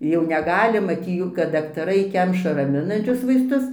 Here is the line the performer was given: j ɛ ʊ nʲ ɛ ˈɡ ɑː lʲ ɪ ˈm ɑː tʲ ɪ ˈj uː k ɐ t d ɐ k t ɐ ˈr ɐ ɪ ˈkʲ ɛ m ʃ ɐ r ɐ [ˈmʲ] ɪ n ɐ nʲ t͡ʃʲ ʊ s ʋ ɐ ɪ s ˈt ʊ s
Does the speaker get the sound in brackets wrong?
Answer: no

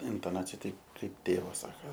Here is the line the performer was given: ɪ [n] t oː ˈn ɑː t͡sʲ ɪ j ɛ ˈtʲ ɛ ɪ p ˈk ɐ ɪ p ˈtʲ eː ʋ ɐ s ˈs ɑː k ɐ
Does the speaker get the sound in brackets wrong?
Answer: no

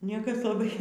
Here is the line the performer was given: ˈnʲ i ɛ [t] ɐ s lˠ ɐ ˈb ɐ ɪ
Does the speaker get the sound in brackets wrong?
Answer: yes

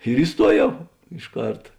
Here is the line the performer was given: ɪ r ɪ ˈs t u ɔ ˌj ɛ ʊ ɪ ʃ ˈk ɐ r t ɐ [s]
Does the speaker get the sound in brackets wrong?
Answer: yes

